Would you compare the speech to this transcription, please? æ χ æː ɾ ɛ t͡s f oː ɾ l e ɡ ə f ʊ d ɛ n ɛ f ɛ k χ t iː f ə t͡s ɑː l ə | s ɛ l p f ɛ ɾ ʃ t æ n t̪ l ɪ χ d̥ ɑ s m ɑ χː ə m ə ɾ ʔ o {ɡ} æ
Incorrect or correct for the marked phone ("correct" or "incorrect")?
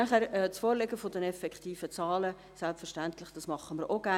correct